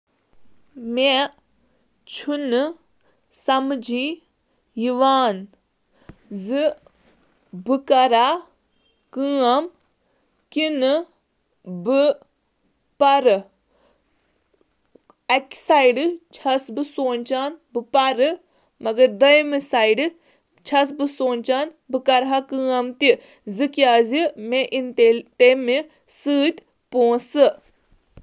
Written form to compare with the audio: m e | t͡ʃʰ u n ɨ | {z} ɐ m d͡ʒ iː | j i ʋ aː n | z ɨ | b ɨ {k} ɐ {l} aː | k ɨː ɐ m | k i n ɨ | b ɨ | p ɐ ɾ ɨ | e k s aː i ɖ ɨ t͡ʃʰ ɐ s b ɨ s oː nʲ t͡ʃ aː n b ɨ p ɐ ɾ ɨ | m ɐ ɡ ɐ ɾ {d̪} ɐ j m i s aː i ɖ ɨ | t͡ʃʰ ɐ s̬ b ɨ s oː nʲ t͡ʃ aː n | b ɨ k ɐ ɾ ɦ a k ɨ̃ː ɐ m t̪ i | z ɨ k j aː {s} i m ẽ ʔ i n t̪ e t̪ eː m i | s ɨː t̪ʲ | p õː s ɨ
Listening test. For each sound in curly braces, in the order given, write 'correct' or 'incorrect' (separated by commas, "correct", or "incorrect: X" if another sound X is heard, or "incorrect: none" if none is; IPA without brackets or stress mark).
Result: incorrect: s, correct, incorrect: ɾ, correct, incorrect: z